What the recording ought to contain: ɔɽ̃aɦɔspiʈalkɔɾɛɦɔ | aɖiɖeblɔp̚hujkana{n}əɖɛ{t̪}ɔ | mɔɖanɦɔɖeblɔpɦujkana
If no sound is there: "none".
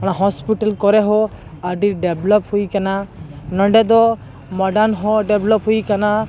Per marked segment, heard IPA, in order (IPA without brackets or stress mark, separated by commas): n, d̪